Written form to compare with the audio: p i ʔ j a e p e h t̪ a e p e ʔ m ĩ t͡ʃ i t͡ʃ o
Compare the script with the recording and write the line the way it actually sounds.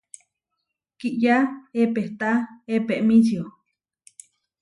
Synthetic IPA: k i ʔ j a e p e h t̪ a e p e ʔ m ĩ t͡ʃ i o